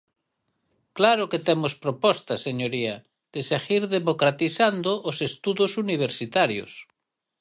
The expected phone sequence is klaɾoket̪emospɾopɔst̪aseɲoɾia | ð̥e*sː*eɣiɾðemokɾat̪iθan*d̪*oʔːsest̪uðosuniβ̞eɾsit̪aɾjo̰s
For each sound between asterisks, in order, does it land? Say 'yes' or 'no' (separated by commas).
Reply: no, yes